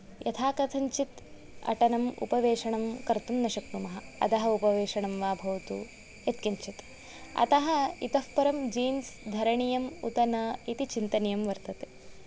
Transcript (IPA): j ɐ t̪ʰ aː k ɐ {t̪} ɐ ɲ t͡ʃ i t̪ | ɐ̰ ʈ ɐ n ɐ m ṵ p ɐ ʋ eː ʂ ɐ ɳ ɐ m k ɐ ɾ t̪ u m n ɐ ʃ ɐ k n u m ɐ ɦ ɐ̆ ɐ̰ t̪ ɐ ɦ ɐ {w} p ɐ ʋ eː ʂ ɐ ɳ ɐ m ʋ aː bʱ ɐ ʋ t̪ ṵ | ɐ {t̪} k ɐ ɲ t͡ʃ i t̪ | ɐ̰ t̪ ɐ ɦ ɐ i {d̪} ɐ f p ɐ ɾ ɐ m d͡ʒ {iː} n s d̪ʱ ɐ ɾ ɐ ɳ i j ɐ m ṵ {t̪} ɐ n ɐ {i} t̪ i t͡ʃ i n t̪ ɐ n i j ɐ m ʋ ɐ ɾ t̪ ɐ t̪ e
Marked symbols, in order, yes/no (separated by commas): no, no, yes, no, yes, yes, yes